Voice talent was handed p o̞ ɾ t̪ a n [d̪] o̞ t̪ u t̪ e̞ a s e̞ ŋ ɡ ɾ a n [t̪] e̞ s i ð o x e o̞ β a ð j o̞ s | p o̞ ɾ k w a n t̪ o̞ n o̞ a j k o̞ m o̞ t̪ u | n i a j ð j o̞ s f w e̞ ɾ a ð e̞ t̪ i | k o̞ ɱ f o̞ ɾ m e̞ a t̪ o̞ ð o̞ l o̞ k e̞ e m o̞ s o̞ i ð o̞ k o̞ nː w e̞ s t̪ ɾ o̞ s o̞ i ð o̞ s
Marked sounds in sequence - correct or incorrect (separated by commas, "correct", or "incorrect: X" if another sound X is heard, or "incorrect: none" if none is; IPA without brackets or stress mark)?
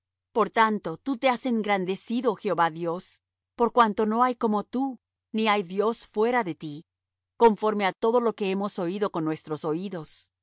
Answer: incorrect: t̪, incorrect: d̪